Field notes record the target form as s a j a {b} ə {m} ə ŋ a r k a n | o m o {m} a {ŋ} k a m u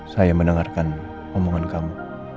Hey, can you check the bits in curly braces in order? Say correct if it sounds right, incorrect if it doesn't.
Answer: incorrect: m, incorrect: n, incorrect: ŋ, incorrect: n

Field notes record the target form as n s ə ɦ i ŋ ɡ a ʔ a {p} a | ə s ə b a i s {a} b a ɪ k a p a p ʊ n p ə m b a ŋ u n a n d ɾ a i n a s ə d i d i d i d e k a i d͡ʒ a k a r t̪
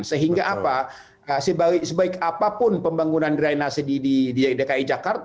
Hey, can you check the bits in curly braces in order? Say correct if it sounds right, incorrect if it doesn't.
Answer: correct, incorrect: ə

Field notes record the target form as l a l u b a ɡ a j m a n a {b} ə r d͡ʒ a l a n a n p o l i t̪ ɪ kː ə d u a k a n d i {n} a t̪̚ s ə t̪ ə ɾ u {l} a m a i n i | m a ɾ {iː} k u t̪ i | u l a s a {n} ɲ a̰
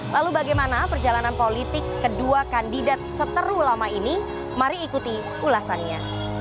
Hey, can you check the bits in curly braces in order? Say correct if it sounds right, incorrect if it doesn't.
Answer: incorrect: p, incorrect: d, correct, correct, correct

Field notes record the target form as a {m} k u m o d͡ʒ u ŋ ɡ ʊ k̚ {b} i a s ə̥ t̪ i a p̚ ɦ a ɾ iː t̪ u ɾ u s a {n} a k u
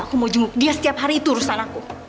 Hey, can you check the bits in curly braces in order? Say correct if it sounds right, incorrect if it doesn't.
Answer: incorrect: none, incorrect: d, correct

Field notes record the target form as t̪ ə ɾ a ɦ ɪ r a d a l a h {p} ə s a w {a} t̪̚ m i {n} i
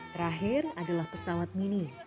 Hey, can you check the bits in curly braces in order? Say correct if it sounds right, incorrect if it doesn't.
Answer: correct, correct, correct

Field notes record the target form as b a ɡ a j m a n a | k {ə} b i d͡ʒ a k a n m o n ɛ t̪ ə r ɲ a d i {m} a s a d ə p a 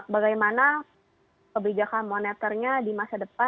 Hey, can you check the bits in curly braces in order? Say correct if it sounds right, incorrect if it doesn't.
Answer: correct, correct

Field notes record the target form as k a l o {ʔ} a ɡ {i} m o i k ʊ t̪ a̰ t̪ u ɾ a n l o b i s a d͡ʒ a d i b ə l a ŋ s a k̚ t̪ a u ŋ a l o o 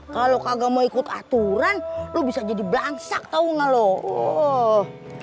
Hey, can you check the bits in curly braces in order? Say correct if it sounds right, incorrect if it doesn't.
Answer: incorrect: k, incorrect: a

